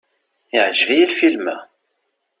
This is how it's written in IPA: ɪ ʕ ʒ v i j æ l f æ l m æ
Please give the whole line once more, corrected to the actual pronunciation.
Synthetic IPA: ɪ ʕ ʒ v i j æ l f i l m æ